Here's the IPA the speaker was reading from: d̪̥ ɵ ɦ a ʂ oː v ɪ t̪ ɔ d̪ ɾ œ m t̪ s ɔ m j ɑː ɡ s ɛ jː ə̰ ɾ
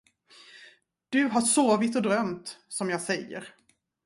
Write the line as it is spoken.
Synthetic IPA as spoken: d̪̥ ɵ ɦ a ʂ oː v ɪ t̪ ɔ d̪ ɾ œ m t̪ s ɔ m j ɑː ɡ s ɛ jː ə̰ ɾ